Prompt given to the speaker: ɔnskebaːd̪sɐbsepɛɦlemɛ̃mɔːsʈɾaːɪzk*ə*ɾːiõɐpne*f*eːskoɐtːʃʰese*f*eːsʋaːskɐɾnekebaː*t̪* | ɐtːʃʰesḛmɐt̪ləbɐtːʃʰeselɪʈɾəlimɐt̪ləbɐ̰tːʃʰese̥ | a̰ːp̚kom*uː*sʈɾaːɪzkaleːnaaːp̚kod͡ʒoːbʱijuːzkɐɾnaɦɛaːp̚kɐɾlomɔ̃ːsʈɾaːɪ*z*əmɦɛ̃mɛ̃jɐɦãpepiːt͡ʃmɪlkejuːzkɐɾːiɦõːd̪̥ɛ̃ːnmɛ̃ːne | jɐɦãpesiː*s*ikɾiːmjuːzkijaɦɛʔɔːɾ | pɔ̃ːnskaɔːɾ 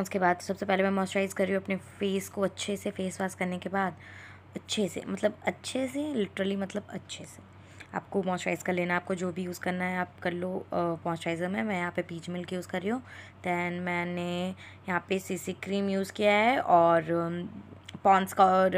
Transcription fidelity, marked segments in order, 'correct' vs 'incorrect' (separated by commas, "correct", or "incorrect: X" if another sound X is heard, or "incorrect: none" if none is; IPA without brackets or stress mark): incorrect: ɐ, correct, correct, incorrect: d̪, incorrect: ɔː, correct, correct